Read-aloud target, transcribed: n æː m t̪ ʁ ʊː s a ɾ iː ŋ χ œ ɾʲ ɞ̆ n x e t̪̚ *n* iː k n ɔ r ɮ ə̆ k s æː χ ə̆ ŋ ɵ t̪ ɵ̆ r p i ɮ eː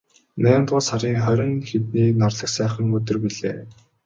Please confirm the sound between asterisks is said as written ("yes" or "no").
yes